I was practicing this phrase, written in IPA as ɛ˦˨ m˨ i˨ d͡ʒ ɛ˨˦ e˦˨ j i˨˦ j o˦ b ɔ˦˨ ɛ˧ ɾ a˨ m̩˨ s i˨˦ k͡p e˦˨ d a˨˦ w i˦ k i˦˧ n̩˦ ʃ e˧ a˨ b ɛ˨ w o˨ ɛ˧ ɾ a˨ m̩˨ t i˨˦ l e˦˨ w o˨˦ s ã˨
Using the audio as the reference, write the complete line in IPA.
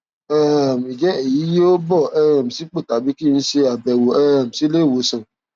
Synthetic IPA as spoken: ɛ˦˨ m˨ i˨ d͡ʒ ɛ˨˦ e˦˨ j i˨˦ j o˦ b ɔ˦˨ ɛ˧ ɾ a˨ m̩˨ s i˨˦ k͡p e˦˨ t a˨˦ b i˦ k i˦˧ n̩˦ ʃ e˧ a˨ b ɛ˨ w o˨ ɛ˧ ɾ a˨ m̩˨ s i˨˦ l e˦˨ w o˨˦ s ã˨